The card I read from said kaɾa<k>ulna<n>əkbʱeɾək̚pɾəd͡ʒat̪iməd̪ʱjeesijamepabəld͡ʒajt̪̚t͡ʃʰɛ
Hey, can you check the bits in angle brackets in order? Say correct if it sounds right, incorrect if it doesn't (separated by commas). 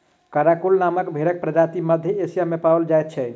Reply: correct, incorrect